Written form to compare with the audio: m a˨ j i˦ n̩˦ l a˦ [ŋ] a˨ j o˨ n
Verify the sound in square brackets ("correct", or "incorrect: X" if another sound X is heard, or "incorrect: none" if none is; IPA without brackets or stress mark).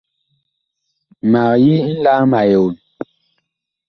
incorrect: m